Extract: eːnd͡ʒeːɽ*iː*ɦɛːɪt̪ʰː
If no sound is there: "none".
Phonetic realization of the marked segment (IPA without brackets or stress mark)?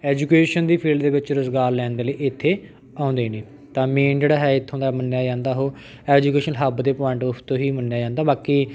aː